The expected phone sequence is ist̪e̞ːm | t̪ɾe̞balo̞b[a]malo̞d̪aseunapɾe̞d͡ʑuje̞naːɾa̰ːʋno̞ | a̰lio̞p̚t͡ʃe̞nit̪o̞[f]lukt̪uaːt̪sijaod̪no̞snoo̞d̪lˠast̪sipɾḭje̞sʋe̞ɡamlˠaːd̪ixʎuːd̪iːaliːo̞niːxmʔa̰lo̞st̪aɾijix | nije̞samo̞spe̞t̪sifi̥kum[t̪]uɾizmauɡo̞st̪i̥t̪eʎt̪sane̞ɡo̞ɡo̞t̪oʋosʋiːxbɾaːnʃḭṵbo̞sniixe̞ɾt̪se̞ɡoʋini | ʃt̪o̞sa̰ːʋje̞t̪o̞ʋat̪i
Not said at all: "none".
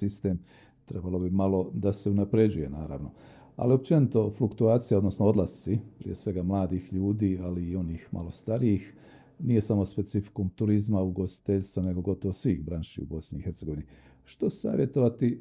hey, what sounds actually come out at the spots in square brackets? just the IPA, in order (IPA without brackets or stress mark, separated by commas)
i, f, t̪